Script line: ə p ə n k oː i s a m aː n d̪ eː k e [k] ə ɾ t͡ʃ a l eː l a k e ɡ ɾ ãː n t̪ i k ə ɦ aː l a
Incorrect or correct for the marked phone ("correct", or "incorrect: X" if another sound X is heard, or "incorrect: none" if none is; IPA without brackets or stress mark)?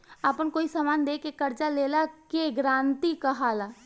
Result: correct